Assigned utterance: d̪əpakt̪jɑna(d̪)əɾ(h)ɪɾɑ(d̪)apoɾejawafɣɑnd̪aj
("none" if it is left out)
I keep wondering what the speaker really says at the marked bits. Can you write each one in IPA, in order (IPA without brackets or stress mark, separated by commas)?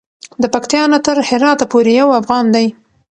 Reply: t̪, h, t̪